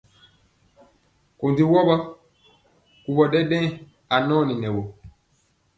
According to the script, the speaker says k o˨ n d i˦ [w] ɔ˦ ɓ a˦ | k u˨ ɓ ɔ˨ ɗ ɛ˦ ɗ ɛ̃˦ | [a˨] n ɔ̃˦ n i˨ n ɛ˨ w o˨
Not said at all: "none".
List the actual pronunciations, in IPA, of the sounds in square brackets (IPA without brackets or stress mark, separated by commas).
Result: w, a˨